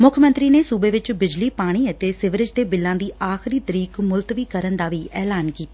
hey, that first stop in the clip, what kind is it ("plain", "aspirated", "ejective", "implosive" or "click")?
aspirated